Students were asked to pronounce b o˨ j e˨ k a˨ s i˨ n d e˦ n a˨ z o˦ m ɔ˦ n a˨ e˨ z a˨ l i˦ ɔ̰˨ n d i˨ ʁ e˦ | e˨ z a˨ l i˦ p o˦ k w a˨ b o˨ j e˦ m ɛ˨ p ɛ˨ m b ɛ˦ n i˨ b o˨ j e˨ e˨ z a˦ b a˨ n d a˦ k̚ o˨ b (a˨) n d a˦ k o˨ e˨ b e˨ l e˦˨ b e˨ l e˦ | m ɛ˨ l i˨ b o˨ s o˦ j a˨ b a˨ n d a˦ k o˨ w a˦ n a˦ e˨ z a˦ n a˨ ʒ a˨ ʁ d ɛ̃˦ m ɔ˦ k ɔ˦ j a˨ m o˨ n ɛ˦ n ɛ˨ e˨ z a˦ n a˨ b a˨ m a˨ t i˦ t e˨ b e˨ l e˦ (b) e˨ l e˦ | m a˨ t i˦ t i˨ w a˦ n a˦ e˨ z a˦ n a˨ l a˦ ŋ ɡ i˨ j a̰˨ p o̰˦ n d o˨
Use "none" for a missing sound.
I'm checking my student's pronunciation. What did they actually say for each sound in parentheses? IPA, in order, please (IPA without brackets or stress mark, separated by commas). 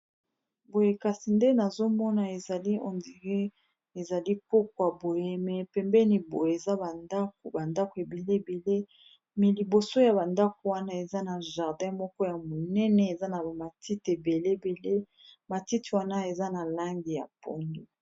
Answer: a˨, b